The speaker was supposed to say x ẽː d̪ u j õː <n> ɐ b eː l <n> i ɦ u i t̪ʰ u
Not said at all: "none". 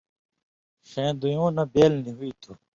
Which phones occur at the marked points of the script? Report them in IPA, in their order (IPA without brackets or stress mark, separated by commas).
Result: n, n